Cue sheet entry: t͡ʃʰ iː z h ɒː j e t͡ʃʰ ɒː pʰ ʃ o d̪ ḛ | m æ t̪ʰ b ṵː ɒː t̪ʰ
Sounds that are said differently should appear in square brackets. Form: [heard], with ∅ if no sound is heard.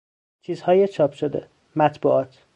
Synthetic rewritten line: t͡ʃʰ iː z h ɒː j e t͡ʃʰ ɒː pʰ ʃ o d̪ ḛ | m æ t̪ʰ b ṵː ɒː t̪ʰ

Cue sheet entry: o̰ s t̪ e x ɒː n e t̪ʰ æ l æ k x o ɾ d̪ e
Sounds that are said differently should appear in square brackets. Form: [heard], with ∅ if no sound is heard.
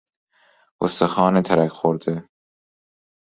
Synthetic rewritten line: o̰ s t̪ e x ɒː n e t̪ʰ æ [ɾ] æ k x o ɾ d̪ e

